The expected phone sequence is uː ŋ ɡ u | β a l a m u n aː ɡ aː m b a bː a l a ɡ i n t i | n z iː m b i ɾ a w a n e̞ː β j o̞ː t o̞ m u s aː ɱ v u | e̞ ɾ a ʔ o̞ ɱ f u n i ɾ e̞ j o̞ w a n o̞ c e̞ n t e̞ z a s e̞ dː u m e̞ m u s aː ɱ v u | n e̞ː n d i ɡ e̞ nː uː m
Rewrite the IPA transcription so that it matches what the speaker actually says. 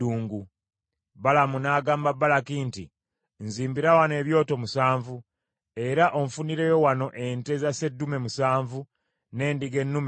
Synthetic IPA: uː ŋ ɡ u | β a l a m u n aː ɡ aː m b a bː a l a k i n t i | n z iː m b i ɾ a w a n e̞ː β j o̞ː t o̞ m u s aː ɱ v u | e̞ ɾ a ʔ o̞ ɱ f u n i ɾ e̞ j o̞ w a n o̞ ʔ e̞ n t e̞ z a s e̞ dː u m e̞ m u s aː ɱ v u | n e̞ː n d i ɡ e̞ nː u m

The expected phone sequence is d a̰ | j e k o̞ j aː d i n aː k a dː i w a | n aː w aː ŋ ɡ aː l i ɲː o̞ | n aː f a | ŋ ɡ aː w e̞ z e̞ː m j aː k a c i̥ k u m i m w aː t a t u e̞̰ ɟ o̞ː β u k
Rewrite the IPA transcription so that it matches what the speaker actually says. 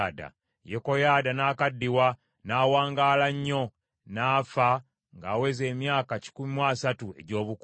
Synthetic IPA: d a̰ | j e k o̞ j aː d a n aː k a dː i w a | n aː w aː ŋ ɡ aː l a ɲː o̞ | n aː f a | ŋ ɡ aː w e̞ z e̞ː m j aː k a c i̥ k u m i m w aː s a t u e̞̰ ɟ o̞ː β u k

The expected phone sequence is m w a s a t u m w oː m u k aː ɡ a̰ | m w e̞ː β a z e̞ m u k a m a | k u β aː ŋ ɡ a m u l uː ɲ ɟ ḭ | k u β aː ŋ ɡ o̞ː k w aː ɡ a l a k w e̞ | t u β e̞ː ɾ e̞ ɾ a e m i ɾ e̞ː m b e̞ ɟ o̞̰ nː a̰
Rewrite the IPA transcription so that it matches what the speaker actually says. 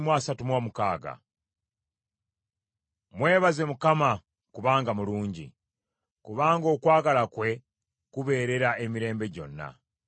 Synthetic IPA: m w a s a t u m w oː m u k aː ɡ a̰ | m w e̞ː β a z e̞ m u k a m a | k u β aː ŋ ɡ a m u l uː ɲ ɟ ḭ | k u β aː ŋ ɡ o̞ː k w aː ɡ a l a k w e̞ | k u β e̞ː ɾ e̞ ɾ a e m i ɾ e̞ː m b e̞ ɟ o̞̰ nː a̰

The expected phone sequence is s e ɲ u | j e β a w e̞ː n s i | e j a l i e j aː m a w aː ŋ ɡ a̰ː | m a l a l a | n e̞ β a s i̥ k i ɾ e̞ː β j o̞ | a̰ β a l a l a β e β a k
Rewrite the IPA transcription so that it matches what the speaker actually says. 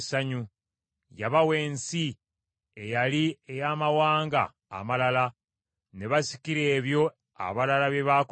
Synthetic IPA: s a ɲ u | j a β a w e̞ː n s i | e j a l i e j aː m a w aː ŋ ɡ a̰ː | m a l a l a | n e̞ β a s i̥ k i ɾ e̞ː β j o̞ | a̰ β a l a l a β e β a k

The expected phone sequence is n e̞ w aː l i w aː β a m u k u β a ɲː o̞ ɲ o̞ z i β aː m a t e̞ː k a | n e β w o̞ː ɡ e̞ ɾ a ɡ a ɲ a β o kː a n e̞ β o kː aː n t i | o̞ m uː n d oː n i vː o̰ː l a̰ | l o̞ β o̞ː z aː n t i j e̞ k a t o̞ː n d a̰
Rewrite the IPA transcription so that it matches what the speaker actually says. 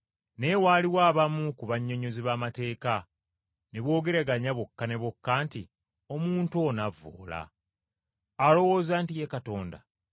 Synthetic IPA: n e̞ w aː l i w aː β a m u k u β a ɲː o̞ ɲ o̞ z i β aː m a t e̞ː k a | n e β w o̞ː ɡ e̞ ɾ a ɡ a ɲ a β o kː a n e̞ β o kː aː n t i | o̞ m uː n t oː n a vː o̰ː l a̰ | l o̞ w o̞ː z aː n t i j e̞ k a t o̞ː n d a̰

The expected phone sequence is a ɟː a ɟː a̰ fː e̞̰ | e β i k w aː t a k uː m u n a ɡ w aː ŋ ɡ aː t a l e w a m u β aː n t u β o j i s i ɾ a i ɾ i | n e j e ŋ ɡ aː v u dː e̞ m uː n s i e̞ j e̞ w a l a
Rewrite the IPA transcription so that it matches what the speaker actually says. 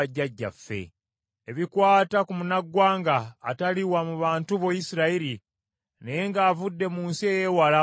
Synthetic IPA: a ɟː a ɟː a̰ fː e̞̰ | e β i k w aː t a k u m u n a ɡ w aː ŋ ɡ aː t a l i w a m u β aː n t u β o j i s i ɾ a i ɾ i | n e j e ŋ ɡ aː v u dː e̞ m uː n s i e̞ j e̞ w a l a

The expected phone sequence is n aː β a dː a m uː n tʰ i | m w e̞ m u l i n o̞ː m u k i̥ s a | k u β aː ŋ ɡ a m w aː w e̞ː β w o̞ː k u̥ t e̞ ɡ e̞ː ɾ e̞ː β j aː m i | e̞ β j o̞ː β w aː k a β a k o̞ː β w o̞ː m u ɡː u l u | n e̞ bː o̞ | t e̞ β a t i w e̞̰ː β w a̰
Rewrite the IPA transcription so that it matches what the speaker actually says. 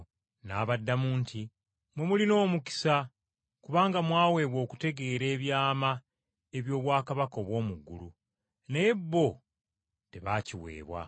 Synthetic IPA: n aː β a dː a m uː n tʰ i | m w e̞ m u l i n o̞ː m u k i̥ s a | k u β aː ŋ ɡ a m w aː w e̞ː β w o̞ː k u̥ t e̞ ɡ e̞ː ɾ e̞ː β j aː m a | e̞ β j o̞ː β w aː k a β a k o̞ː β w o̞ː m u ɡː u l u | n e̞ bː o̞ | t e̞ β a c i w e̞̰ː β w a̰

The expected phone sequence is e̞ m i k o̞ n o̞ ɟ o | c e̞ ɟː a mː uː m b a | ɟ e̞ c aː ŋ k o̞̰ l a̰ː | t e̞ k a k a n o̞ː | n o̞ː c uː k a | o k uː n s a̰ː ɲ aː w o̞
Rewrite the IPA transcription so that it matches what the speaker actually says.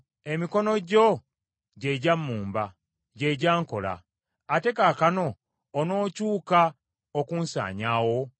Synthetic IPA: e̞ m i k o̞ n o̞ ɟ o | ɟ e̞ ɟ a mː uː m b a | ɟ e̞ ɟ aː ŋ k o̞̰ l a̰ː | t e̞ k a k a n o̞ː | n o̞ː c uː k a | o k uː n s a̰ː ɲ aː w o̞

